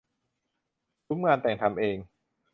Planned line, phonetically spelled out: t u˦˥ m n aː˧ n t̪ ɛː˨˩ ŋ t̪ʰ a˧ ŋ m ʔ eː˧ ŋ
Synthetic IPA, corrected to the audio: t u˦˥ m ŋ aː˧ n t̪ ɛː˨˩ ŋ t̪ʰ a˧ m ʔ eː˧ ŋ